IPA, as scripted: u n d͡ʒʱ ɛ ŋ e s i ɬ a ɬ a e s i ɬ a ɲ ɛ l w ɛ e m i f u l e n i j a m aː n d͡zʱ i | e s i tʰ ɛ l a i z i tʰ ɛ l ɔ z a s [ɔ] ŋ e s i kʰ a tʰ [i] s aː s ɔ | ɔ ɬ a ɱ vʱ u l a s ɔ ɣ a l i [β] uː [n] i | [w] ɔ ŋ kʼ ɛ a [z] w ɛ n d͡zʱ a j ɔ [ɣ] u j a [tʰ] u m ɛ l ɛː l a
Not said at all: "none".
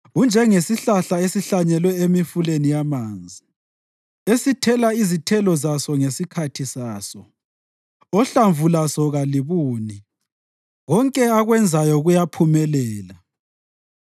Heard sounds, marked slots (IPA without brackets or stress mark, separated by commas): ɔ, i, β, n, ɣ, ɣ, ɣ, pʰ